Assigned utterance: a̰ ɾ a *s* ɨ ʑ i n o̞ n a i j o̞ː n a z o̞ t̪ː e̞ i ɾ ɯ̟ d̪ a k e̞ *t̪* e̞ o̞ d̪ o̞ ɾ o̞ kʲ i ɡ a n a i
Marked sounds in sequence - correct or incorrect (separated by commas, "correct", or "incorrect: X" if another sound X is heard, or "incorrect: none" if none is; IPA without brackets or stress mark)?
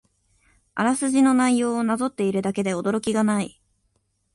correct, incorrect: d̪